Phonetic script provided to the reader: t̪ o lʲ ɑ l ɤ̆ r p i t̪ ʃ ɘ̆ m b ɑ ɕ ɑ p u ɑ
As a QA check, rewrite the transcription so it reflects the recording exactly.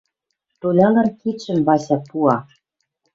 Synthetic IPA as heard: t̪ o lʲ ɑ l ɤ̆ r k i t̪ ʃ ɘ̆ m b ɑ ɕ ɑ p u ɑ